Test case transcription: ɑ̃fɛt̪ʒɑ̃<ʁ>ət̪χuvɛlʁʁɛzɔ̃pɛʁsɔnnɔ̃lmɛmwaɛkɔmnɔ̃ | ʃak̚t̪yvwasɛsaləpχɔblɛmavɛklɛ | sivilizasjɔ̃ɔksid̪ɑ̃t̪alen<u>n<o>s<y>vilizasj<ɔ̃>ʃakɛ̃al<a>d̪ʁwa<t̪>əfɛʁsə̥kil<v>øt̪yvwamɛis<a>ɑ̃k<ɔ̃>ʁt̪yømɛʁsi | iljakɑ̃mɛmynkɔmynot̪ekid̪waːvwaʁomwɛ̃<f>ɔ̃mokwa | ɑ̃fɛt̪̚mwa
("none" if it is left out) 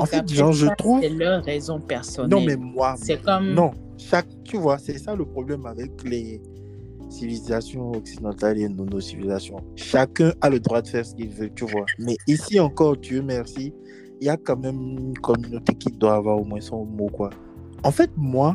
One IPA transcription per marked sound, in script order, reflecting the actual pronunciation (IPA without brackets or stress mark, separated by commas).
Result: ʒ, o, o, i, ɔ̃, ə, d̪, v, i, ɔ, s